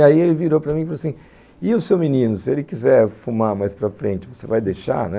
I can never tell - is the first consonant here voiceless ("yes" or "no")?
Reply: no